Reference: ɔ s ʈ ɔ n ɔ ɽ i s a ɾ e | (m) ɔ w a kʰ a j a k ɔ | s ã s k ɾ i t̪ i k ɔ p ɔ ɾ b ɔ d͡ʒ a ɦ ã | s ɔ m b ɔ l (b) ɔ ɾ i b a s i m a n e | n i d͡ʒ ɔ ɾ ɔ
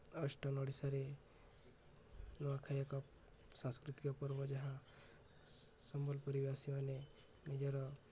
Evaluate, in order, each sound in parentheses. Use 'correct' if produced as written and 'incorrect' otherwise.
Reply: incorrect: n, incorrect: p

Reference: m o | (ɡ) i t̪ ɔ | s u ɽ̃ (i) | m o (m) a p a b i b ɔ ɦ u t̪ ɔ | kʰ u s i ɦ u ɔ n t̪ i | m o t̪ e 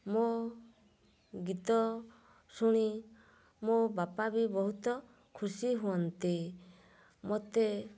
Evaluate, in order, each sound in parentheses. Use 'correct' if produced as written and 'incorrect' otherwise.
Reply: correct, correct, incorrect: b

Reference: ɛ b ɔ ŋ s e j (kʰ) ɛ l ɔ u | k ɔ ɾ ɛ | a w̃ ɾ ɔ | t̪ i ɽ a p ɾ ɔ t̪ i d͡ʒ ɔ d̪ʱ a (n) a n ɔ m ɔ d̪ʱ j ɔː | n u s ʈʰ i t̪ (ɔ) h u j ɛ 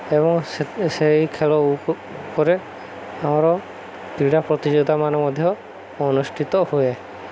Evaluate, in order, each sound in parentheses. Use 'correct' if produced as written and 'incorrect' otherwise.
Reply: correct, incorrect: m, correct

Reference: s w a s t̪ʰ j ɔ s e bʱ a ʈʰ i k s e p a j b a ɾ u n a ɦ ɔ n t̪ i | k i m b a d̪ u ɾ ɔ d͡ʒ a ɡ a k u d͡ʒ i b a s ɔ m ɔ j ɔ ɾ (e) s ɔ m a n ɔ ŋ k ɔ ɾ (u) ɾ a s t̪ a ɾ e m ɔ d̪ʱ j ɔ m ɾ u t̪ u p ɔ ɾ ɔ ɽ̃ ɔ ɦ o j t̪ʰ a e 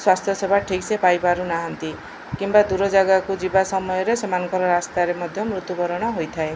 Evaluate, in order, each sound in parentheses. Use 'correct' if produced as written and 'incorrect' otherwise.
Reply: correct, incorrect: ɔ

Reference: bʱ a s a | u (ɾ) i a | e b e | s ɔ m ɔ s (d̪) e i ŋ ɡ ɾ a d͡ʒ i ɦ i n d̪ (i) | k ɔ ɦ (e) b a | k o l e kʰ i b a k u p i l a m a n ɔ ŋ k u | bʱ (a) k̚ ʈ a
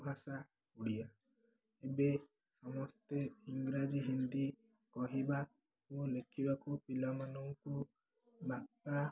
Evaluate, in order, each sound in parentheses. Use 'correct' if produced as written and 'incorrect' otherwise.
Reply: incorrect: ɽ, incorrect: t̪, correct, incorrect: i, correct

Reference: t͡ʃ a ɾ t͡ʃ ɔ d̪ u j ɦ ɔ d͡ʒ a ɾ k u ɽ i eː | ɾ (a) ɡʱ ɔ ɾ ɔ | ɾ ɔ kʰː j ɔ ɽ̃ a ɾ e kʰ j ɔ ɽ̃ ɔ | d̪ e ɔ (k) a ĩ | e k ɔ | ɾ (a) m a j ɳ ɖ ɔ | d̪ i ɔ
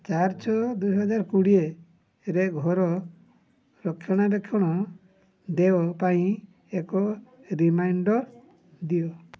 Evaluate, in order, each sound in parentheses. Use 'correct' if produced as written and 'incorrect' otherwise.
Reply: incorrect: e, incorrect: p, incorrect: i

